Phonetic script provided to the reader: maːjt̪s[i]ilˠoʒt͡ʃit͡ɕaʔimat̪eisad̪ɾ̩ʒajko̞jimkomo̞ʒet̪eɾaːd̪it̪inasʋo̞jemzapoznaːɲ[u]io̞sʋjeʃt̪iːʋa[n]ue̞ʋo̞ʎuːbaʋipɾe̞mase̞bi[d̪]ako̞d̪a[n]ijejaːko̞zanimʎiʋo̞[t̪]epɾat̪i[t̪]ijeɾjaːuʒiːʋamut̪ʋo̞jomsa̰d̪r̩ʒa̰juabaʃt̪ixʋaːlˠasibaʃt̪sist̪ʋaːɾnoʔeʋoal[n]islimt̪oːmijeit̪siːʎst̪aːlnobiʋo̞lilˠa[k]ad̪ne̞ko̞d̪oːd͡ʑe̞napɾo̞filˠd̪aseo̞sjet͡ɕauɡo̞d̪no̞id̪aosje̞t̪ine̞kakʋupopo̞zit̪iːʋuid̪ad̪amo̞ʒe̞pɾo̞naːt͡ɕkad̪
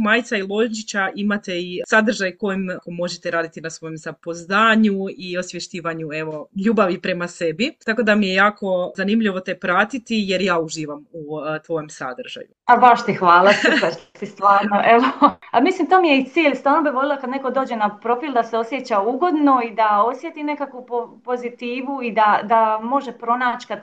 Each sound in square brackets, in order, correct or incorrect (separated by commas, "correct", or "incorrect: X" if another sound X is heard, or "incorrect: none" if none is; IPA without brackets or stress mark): incorrect: a, correct, incorrect: ɲ, incorrect: t̪, incorrect: m, correct, correct, incorrect: m, correct